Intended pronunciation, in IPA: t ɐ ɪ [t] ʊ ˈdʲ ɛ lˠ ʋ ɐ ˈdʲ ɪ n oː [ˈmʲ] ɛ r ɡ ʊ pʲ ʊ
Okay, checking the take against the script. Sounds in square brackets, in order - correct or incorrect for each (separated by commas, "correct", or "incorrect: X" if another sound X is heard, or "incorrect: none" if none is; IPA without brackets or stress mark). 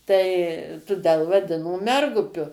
correct, correct